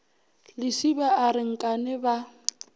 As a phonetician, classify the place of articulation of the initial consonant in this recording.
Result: alveolar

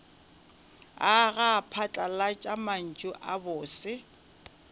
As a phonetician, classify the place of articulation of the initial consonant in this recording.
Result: velar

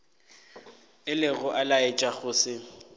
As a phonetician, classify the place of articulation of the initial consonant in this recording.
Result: alveolar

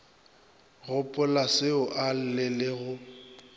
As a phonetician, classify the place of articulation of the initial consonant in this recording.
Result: velar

